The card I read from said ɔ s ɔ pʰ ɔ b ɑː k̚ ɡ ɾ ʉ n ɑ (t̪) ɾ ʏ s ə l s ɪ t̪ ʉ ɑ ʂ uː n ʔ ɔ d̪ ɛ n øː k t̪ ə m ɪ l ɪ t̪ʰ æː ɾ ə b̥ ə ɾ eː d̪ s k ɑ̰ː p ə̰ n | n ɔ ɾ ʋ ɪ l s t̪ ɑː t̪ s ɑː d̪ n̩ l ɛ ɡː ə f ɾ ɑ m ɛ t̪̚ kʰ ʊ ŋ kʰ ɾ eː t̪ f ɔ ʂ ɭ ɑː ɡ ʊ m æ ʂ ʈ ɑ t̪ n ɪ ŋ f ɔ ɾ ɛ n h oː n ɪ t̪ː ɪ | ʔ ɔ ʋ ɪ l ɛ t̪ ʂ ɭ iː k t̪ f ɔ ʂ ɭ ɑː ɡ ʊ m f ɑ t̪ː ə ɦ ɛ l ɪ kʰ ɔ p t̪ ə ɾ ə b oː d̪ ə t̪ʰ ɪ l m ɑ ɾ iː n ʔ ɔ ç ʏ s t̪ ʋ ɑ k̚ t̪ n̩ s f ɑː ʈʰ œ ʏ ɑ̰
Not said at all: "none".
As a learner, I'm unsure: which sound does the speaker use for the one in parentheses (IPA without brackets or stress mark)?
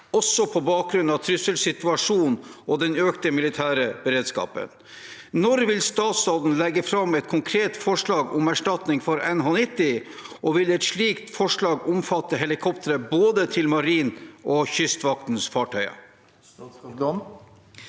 t̪ʰ